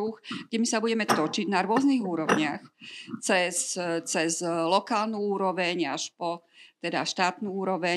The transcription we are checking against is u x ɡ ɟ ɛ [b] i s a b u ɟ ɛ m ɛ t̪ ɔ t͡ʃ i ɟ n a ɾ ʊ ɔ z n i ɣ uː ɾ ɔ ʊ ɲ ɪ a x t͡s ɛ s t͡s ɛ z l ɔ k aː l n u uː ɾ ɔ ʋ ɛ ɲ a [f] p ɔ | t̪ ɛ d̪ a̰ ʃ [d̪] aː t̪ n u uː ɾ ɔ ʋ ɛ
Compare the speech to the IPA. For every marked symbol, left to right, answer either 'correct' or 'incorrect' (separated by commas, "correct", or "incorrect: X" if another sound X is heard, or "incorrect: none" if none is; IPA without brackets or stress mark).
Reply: incorrect: m, incorrect: ʃ, incorrect: t̪